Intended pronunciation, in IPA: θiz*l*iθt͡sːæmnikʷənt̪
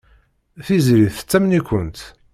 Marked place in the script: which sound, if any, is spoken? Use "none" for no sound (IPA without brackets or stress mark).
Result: ɾ